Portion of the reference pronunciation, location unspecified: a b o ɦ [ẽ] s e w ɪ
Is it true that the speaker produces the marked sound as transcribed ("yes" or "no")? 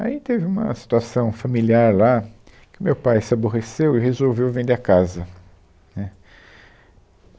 no